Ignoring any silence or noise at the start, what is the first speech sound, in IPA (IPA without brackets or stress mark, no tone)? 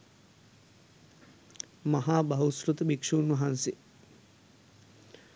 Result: m